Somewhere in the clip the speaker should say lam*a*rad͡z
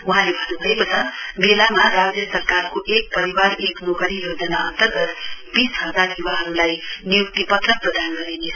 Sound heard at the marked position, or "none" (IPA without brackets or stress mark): a